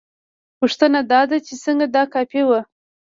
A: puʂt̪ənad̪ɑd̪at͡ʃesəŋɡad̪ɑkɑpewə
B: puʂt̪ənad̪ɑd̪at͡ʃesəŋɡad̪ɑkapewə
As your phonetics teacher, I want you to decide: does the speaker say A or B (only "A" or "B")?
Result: A